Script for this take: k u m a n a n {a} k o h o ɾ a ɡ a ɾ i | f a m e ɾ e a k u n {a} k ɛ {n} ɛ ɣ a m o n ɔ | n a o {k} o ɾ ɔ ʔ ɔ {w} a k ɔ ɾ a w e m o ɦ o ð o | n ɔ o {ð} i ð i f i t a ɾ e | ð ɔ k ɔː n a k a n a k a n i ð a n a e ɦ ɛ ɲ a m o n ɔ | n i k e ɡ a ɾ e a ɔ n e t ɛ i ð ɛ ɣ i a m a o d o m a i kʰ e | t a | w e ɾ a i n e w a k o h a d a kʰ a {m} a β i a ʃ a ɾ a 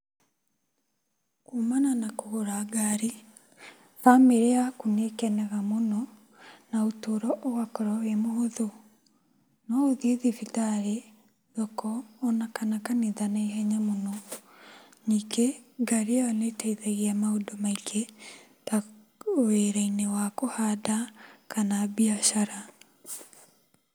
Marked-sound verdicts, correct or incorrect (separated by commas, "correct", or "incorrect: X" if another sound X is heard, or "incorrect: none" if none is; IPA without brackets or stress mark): correct, incorrect: e, correct, incorrect: t, correct, correct, incorrect: n